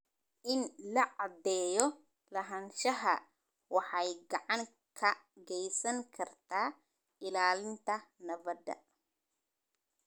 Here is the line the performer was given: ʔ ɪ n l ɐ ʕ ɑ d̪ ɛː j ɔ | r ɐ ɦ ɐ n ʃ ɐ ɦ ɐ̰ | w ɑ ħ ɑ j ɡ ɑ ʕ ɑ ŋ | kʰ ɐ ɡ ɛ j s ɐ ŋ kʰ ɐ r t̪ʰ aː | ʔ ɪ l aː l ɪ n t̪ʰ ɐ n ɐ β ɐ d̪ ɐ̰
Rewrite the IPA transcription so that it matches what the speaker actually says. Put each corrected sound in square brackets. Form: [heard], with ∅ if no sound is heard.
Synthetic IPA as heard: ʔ ɪ n l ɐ ʕ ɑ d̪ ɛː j ɔ | [l] ɐ ɦ ɐ n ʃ ɐ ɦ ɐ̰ | w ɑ ħ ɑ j ɡ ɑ ʕ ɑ ŋ | kʰ ɐ ɡ ɛ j s ɐ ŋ kʰ ɐ r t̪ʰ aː | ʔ ɪ l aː l ɪ n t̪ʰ ɐ n ɐ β ɐ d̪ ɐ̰